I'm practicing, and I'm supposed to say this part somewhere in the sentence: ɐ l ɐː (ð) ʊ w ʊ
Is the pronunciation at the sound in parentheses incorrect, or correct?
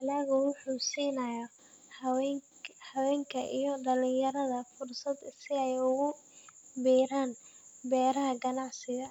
incorrect: ɣ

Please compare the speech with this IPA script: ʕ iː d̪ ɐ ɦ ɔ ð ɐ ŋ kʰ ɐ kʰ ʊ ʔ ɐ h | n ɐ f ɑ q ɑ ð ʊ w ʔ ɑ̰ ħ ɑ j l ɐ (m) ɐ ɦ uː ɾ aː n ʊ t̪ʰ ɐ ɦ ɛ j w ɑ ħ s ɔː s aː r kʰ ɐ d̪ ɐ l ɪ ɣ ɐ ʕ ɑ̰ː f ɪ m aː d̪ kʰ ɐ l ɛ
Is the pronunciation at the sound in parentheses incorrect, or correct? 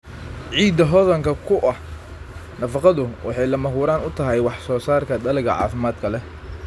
correct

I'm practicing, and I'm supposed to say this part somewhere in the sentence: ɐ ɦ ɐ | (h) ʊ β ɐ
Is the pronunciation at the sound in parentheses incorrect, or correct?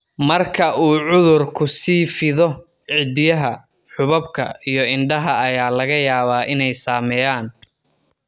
incorrect: ħ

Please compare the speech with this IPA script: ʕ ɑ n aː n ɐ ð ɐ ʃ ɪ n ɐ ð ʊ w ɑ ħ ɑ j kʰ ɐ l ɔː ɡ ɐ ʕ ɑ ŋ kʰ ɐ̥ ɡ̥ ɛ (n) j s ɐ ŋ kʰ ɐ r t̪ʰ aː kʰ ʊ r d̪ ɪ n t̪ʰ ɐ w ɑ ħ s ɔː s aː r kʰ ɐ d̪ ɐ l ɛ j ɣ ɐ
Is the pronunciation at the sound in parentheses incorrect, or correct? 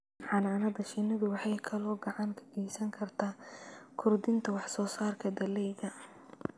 incorrect: none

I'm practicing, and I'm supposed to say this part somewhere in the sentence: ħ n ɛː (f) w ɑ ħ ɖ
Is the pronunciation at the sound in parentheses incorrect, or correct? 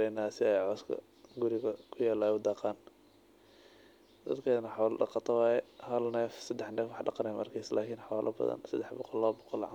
correct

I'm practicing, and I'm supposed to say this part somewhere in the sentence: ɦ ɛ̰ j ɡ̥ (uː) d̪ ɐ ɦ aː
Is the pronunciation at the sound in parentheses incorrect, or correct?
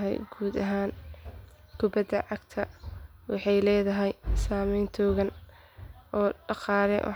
correct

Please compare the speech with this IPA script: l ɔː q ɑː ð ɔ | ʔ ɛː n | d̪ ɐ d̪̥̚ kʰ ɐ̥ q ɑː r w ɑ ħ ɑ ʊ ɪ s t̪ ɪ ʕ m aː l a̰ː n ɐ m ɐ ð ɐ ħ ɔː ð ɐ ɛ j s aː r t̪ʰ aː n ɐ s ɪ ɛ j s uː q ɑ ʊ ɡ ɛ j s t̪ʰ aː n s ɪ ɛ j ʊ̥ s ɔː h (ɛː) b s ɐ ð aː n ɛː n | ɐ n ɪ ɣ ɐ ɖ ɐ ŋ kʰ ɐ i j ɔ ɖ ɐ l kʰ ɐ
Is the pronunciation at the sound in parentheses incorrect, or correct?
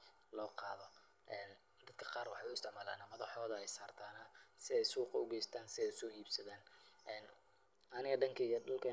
incorrect: iː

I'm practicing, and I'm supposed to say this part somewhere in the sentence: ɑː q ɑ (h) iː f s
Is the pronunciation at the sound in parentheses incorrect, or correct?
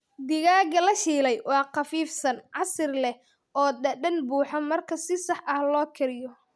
incorrect: f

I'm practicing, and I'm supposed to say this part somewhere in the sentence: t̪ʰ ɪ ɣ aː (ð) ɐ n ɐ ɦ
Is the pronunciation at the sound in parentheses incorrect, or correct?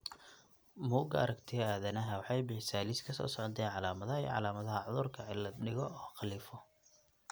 correct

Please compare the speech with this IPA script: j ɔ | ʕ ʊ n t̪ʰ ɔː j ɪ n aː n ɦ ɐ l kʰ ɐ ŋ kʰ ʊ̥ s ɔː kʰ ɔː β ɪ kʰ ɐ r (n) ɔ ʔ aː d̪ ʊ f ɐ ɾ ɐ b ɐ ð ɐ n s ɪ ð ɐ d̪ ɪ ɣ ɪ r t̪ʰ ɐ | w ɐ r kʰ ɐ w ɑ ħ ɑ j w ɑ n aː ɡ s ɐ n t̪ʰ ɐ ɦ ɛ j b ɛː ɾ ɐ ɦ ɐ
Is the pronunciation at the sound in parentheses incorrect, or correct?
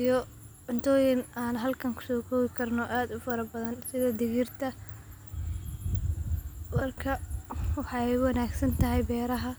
correct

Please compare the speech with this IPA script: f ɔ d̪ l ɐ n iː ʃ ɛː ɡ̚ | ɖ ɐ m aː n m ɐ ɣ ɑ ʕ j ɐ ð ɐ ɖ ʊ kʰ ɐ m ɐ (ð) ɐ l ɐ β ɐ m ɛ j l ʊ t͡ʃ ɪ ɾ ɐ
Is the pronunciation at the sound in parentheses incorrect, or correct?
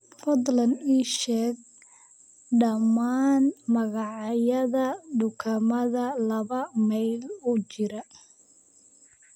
correct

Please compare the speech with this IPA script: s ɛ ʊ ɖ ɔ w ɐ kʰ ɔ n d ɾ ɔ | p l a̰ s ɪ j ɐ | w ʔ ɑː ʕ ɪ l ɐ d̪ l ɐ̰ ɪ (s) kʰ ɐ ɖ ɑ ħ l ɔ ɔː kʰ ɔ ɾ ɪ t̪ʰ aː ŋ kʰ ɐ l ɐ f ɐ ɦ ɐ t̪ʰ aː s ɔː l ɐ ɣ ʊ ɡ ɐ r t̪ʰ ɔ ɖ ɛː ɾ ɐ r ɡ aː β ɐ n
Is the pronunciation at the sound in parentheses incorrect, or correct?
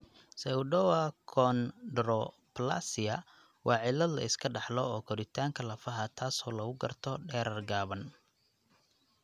correct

